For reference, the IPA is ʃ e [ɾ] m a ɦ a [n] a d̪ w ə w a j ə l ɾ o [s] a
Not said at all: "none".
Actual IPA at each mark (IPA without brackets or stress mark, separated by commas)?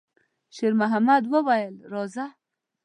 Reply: ɾ, m, z